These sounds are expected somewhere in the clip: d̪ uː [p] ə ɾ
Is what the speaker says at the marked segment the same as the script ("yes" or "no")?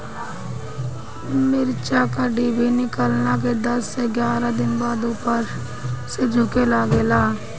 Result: yes